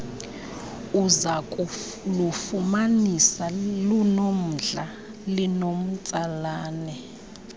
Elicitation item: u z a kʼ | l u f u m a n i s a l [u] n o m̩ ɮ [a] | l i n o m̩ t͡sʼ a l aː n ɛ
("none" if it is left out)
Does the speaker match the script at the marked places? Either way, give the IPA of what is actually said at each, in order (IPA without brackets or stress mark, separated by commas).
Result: u, a